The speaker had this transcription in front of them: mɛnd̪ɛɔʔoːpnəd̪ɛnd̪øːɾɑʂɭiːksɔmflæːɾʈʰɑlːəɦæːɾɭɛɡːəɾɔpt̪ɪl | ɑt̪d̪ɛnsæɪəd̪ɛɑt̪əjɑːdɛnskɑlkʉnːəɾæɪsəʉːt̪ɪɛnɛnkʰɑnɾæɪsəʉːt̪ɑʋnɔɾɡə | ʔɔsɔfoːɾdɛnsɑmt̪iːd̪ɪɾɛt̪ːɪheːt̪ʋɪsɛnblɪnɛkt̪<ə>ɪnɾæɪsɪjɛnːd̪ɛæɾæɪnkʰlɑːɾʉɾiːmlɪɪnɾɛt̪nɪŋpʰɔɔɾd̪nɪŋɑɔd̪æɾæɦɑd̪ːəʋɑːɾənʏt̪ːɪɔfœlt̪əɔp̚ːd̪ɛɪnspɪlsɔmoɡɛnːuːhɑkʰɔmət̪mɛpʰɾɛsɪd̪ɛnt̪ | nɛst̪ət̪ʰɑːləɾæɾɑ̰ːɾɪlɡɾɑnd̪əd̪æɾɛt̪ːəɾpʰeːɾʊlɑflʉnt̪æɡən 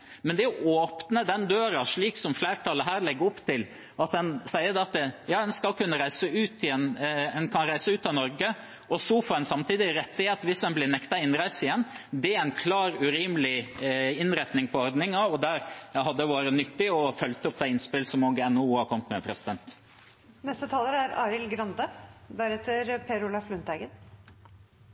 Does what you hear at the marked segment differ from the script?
yes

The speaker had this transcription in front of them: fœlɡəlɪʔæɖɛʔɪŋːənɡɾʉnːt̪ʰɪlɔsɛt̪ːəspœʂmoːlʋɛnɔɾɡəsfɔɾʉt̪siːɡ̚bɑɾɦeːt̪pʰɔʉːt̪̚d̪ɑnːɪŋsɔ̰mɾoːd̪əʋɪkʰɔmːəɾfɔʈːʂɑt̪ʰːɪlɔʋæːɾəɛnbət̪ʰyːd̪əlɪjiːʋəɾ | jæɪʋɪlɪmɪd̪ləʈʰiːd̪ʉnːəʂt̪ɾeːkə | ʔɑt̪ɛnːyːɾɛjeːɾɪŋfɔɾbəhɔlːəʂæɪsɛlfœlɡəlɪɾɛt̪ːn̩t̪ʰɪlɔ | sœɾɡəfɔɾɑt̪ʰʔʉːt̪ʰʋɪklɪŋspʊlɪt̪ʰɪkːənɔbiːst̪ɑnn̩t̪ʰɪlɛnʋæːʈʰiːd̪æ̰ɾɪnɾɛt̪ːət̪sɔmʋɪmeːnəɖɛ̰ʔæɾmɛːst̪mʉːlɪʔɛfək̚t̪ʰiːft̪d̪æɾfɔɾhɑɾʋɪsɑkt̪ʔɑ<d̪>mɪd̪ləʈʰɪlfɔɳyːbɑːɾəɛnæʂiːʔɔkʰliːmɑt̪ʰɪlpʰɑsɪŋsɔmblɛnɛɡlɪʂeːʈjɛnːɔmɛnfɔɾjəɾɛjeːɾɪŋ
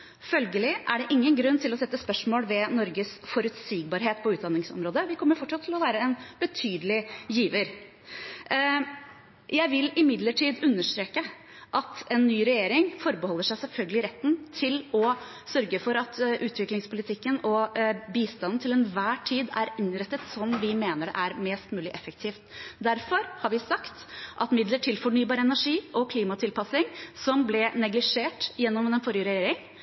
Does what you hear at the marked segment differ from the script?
yes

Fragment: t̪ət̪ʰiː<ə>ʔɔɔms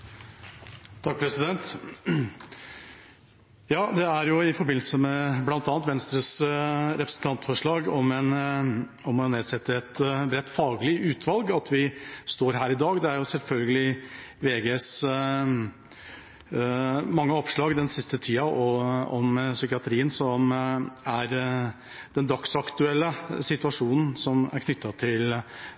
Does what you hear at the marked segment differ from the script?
yes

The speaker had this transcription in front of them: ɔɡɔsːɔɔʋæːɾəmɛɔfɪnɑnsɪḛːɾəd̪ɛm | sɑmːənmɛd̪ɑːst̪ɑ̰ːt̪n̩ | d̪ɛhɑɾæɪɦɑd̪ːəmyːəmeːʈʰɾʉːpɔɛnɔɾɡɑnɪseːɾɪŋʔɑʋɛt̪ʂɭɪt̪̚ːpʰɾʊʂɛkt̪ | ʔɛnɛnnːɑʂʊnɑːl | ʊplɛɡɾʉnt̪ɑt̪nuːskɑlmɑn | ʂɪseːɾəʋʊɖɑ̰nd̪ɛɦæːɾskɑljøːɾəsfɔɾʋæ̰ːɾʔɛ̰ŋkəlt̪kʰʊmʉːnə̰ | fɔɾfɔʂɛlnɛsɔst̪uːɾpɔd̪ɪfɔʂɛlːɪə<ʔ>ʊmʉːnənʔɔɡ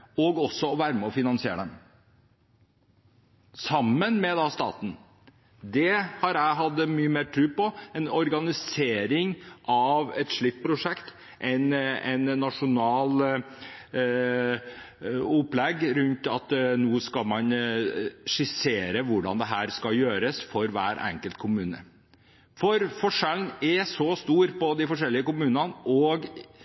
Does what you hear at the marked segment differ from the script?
yes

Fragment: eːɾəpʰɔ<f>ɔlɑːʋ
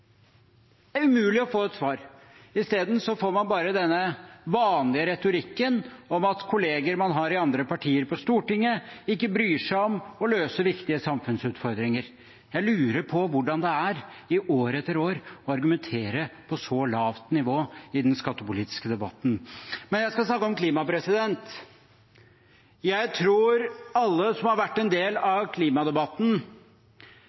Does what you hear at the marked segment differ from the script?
yes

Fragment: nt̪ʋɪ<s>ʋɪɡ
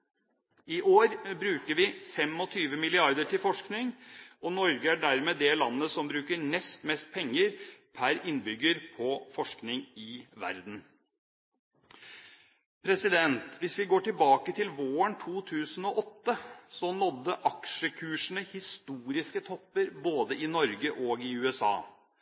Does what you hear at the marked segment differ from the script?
no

